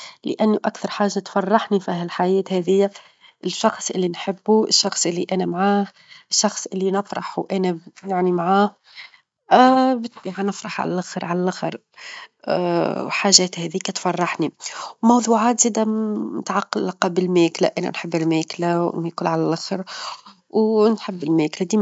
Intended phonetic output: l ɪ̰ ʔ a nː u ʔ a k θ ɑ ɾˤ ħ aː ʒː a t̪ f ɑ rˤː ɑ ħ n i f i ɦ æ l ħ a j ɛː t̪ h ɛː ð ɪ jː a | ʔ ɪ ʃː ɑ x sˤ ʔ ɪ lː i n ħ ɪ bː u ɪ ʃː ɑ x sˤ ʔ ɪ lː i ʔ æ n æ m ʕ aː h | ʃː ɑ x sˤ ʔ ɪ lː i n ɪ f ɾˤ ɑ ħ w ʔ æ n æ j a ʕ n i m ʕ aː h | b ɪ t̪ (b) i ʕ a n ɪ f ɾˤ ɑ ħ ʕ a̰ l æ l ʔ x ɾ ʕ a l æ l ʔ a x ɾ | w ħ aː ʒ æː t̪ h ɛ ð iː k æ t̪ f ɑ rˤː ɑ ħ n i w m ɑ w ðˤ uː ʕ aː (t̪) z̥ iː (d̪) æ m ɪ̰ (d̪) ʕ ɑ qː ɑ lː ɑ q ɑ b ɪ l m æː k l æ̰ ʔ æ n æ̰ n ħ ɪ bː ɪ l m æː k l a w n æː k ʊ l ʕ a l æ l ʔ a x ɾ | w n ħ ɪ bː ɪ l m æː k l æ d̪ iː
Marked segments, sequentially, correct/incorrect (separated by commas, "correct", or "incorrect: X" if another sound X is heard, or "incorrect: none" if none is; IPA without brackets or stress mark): correct, correct, correct, incorrect: t̪